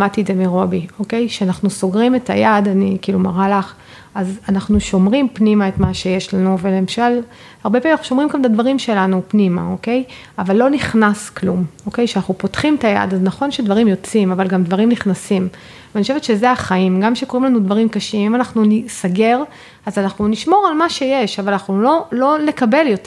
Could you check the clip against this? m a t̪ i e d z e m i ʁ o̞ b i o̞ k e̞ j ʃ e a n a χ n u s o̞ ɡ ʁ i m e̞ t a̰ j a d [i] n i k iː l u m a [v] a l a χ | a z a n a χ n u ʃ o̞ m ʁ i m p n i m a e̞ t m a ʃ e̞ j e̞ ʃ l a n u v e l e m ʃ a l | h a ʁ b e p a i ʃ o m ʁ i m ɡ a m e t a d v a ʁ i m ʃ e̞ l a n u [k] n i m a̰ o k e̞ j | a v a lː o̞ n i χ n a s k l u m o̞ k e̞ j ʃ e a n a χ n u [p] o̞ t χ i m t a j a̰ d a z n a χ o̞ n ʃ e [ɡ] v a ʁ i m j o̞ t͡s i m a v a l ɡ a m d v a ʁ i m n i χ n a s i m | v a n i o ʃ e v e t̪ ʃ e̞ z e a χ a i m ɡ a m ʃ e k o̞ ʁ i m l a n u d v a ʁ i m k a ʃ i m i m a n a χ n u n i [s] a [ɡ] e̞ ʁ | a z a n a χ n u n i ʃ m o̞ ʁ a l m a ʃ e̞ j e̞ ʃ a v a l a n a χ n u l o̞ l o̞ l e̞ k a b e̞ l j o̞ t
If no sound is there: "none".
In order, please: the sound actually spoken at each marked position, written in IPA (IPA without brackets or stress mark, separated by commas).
a, ʁ, p, p, d, s, ɡ